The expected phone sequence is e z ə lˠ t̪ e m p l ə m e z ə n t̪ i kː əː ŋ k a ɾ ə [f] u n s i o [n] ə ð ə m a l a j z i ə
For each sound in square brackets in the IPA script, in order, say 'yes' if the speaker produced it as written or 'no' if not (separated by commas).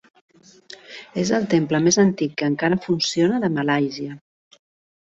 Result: yes, yes